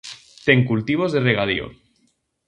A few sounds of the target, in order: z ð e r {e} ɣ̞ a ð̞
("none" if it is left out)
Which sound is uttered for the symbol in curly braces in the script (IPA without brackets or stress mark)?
e